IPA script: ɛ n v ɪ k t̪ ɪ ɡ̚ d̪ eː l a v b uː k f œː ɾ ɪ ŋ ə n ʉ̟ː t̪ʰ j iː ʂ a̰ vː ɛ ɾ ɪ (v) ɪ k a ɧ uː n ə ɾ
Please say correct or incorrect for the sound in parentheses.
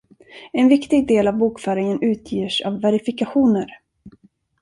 incorrect